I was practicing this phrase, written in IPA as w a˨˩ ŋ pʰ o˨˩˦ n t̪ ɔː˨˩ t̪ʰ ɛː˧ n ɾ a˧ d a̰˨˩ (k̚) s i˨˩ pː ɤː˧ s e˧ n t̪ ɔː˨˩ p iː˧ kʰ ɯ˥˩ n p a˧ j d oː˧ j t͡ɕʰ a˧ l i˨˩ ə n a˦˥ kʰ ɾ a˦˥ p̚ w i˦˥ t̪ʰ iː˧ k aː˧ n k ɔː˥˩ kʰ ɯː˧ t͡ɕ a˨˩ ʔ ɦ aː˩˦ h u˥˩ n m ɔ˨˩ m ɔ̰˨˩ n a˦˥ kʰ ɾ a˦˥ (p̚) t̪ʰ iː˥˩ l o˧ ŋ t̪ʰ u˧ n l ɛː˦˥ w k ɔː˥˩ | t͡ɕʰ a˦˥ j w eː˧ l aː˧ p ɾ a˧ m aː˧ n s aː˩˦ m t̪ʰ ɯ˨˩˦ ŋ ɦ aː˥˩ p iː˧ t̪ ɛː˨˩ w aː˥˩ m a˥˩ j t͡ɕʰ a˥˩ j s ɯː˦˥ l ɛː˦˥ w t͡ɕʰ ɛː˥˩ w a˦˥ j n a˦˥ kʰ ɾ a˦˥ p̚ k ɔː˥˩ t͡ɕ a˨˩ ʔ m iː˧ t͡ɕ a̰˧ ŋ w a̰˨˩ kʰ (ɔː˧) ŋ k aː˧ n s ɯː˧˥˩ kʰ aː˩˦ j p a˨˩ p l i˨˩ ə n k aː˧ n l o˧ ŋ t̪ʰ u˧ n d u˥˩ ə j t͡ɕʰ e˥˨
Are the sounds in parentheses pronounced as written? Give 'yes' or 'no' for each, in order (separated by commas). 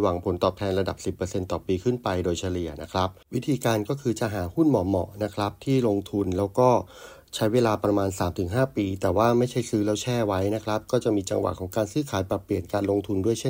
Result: no, yes, no